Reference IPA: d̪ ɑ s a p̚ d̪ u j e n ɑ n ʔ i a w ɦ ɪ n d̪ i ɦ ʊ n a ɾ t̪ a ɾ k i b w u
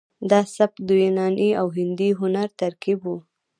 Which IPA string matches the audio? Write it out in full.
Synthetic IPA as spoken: d̪ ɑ s a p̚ d̪ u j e n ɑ n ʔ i a w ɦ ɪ n d̪ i ɦ ʊ n a ɾ t̪ a ɾ k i b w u